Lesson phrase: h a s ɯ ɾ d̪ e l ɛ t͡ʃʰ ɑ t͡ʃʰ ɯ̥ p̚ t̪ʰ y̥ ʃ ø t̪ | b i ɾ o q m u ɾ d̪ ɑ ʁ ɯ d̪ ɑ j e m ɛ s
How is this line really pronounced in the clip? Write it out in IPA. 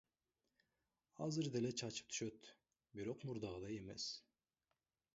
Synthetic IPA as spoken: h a z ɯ ɾ d̪ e l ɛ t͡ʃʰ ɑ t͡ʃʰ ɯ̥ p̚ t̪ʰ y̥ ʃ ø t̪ | b i ɾ o q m u ɾ d̪ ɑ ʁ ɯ d̪ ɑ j e m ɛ s